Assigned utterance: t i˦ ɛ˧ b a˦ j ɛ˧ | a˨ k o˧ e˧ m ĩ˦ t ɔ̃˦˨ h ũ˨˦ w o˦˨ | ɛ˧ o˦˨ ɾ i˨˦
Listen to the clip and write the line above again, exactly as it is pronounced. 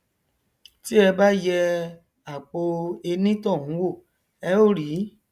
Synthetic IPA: t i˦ ɛ˧ b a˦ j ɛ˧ | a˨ k͡p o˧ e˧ n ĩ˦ t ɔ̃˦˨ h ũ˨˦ w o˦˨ | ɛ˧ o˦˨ ɾ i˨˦

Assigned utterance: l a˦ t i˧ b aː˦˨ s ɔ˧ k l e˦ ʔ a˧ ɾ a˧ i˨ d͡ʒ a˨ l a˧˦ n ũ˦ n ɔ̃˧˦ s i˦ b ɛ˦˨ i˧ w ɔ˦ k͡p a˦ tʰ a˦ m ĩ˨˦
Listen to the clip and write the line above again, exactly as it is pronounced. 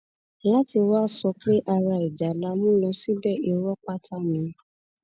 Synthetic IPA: l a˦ t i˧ w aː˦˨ s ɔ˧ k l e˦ ʔ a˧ ɾ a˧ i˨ d͡ʒ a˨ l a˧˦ m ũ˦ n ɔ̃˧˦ s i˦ b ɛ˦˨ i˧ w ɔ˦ k͡p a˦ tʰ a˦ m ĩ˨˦

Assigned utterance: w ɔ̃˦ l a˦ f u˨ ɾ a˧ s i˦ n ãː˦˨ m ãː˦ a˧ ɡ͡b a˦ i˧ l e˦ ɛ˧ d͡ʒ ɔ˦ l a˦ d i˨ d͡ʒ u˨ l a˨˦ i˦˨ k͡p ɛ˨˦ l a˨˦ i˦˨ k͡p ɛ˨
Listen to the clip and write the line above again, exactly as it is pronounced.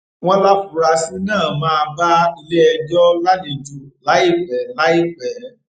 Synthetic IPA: w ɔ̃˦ l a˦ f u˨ ɾ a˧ s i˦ n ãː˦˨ m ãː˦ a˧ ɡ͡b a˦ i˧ l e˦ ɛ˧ d͡ʒ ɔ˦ l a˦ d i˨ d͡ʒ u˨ l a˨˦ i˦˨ k͡p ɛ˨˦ l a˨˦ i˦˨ k͡p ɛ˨

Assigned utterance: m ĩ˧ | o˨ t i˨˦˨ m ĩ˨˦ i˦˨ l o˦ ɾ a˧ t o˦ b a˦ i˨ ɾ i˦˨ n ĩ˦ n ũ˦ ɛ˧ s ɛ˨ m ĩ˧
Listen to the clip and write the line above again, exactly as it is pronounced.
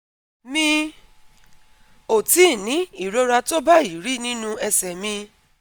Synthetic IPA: m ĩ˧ | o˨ t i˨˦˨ n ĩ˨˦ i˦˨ ɾ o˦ ɾ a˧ t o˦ b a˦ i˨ ɾ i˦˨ n ĩ˦ n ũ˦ ɛ˧ s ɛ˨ m ĩ˧

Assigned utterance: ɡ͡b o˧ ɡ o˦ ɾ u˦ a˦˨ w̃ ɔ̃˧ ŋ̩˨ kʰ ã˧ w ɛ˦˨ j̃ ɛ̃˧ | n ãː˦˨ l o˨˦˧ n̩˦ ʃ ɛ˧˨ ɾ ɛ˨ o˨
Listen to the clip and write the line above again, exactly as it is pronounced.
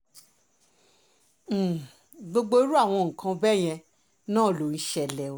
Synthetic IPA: ɡ͡b o˧ ɡ͡b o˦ ɾ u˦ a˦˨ w̃ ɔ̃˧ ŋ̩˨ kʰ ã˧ b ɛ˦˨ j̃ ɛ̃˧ | n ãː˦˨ l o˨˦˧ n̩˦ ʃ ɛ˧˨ l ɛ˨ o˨

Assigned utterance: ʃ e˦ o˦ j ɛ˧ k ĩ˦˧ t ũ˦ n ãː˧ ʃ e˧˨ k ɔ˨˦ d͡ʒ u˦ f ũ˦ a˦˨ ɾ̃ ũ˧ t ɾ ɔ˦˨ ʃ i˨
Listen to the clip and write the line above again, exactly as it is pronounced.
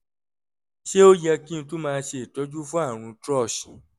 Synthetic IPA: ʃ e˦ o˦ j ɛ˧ k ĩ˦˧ t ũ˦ m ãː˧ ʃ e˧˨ t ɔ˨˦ d͡ʒ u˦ f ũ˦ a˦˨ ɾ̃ ũ˧ t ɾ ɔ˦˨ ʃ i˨

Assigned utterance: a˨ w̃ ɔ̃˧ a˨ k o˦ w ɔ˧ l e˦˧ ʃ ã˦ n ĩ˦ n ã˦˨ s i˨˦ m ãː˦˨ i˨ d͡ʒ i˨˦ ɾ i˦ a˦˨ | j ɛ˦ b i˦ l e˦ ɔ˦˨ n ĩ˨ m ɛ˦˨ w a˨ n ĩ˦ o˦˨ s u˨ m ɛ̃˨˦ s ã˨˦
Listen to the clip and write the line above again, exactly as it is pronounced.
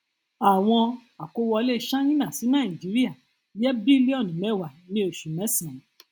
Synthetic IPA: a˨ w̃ ɔ̃˧ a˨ k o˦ w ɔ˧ l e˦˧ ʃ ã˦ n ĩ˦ n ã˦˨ s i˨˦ n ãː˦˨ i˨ d͡ʒ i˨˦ ɾ i˦ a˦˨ | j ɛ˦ b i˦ l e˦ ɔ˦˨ n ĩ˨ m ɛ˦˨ w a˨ n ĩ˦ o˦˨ ʃ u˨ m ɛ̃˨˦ s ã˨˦

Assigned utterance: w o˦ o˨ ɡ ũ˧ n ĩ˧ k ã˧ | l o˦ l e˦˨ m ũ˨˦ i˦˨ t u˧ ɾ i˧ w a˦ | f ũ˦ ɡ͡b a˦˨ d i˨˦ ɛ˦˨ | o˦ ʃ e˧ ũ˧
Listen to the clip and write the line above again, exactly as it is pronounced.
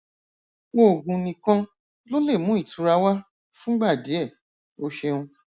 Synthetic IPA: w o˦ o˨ ɡ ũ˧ n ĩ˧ k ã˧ | l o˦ l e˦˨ m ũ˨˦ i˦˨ t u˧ ɾ a˧ w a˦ | f ũ˦ ɡ͡b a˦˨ d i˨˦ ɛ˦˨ | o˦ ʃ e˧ ũ˧

